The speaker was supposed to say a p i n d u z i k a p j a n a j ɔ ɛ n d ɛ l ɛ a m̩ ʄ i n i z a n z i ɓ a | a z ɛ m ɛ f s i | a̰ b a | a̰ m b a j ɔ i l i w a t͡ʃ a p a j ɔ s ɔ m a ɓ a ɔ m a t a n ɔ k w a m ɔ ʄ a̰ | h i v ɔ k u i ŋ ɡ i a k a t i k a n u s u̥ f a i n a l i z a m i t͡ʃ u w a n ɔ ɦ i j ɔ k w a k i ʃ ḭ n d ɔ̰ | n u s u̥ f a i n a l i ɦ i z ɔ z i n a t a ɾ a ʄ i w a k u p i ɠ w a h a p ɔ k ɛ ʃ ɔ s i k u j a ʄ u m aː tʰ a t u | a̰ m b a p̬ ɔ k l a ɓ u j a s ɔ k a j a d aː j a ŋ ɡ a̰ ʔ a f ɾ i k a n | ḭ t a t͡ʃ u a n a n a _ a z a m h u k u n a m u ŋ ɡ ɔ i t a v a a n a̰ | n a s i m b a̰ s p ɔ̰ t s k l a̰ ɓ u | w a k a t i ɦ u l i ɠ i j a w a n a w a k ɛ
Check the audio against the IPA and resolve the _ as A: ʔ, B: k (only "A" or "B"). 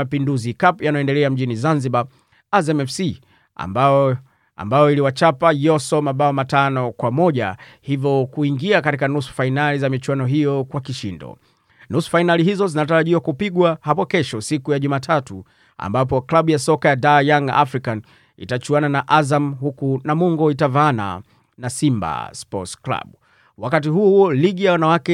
A